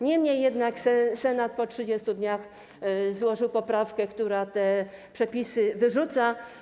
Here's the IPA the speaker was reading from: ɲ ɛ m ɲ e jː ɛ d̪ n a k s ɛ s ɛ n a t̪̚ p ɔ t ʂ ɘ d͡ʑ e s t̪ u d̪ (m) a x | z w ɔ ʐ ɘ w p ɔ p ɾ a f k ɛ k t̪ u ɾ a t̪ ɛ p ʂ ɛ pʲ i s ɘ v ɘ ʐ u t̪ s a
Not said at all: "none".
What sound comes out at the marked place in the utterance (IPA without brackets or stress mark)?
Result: ɲ